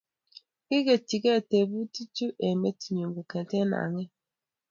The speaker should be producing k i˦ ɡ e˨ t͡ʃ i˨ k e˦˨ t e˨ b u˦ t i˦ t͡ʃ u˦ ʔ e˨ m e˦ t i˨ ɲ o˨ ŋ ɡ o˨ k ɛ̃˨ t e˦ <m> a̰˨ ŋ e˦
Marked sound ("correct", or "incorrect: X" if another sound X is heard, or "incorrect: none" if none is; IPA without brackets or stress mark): incorrect: n